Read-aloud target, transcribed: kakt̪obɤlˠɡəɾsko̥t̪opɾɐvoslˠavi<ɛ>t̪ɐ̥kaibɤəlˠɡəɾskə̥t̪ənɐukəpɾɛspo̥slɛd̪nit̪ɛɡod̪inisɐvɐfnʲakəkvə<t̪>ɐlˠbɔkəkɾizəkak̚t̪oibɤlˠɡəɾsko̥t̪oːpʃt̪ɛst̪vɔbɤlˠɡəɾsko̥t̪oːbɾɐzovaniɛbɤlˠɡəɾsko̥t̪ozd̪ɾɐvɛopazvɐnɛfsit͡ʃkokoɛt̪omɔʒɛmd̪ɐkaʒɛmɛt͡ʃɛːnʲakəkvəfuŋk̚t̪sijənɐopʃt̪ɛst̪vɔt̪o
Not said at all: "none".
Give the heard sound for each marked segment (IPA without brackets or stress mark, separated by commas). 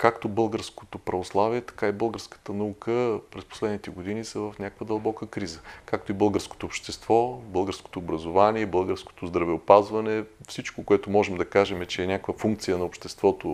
ɛ, d̪